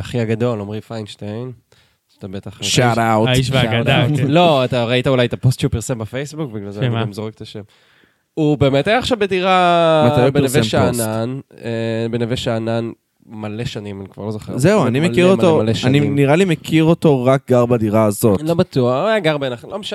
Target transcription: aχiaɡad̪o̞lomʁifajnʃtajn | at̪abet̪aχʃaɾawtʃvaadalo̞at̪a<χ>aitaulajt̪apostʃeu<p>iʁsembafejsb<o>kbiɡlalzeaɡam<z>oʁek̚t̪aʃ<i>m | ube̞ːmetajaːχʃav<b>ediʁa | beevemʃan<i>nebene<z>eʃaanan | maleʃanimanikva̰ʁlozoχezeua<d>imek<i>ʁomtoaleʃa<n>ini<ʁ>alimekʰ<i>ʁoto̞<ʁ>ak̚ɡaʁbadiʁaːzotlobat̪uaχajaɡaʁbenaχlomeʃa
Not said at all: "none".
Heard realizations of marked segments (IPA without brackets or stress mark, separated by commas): ʁ, p, u, z, e, b, a, v, n, i, n, ʁ, i, ʁ